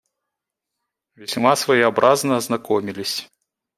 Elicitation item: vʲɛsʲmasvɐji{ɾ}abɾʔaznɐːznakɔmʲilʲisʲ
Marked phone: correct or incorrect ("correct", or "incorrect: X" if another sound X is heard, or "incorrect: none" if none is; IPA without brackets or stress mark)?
incorrect: none